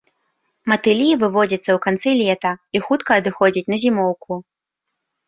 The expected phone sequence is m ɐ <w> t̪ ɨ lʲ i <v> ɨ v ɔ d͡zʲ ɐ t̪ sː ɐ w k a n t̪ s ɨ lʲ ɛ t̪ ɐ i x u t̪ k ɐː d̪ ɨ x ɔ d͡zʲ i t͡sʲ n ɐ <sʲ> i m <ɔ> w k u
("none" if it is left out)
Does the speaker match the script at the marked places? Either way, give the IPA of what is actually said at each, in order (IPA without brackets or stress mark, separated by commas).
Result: none, v, zʲ, ɔ